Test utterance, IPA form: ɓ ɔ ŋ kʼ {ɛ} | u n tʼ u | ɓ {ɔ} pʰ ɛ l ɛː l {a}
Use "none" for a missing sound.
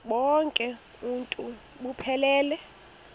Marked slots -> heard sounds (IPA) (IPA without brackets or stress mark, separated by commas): ɛ, u, ɛ